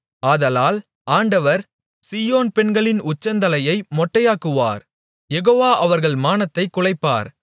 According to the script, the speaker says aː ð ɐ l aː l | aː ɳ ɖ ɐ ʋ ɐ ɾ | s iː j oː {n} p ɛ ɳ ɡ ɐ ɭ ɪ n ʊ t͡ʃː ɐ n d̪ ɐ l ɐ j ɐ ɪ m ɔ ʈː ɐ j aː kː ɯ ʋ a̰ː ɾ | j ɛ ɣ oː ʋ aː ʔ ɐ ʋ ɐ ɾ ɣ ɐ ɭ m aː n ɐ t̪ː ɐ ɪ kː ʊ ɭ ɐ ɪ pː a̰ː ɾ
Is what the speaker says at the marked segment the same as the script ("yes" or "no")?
yes